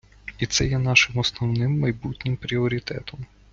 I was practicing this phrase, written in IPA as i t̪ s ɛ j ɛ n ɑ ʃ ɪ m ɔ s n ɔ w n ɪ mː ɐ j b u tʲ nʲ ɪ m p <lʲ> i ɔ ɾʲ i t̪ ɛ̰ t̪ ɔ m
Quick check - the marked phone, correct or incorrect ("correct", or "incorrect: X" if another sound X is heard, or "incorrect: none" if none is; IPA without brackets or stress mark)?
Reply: incorrect: ɾʲ